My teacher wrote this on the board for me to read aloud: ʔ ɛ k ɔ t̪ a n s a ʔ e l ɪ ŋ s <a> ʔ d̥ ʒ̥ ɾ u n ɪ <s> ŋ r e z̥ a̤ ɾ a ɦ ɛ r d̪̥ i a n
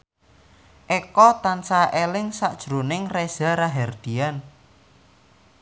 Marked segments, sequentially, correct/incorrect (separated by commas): correct, incorrect